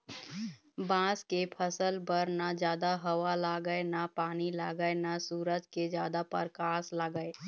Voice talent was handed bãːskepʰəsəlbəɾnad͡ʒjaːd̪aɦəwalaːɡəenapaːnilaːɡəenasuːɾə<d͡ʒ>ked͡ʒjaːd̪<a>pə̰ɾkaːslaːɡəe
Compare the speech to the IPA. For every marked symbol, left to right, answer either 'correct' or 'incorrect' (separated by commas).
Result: correct, correct